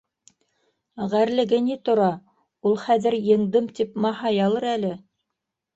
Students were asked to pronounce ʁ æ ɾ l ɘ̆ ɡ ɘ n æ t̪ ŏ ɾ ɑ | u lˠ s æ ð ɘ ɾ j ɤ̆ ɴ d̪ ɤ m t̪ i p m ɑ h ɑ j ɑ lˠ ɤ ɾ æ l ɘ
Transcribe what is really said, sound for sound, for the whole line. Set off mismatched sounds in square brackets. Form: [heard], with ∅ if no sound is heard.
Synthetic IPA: ʁ æ ɾ l ɘ̆ ɡ ɘ n [i] t̪ ŏ ɾ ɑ | u lˠ [χ] æ ð ɘ ɾ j ɤ̆ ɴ d̪ ɤ m t̪ i p m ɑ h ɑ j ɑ lˠ ɤ ɾ æ l ɘ